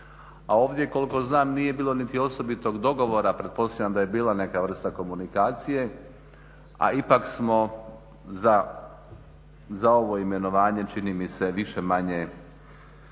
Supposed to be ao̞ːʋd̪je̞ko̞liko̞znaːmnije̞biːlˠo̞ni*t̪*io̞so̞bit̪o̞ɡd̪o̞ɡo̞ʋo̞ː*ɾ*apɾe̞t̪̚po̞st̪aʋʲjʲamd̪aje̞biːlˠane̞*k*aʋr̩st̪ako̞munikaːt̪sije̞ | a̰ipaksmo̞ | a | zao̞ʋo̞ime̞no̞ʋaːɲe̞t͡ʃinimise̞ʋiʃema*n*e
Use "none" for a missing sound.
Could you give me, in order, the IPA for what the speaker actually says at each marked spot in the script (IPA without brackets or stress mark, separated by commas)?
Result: t̪, ɾ, k, ɲ